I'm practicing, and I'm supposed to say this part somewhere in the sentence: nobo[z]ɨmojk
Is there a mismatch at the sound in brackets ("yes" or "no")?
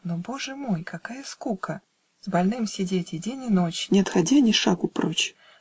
yes